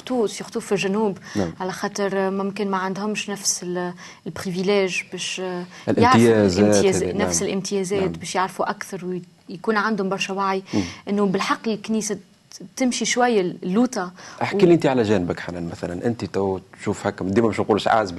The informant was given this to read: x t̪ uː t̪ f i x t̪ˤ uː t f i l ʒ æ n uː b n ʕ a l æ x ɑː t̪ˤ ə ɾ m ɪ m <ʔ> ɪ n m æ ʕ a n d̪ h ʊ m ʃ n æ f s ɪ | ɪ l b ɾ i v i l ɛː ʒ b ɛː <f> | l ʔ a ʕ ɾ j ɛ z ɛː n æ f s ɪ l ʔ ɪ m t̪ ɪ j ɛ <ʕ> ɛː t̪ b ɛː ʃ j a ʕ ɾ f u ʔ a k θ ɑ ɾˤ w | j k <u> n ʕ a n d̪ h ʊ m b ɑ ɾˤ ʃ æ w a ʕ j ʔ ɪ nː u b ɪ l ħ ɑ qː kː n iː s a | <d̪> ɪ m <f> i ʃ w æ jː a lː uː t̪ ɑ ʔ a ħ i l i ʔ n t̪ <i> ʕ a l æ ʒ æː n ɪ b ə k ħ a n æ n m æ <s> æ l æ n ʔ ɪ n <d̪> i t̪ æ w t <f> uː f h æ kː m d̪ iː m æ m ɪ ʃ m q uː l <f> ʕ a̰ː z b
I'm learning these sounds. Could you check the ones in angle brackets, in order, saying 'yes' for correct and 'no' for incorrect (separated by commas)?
no, no, no, no, no, no, yes, no, no, no, no